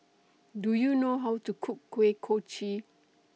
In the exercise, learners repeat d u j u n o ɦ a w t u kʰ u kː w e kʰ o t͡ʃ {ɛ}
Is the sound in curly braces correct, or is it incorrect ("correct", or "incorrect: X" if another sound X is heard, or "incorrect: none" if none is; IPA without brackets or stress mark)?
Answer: incorrect: i